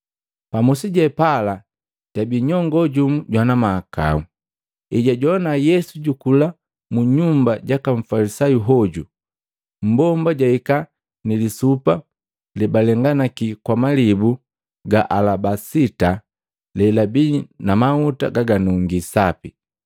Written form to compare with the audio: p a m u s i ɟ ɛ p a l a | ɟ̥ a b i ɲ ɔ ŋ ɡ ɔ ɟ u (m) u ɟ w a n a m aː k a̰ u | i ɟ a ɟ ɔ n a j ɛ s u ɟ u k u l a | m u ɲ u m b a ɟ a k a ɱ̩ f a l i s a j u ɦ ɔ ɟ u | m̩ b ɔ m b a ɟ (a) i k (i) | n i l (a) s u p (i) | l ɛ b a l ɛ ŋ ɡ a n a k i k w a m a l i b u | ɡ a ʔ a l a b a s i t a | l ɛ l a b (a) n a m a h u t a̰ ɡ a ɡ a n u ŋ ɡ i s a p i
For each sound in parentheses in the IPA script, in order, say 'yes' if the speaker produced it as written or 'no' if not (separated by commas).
yes, yes, no, no, no, no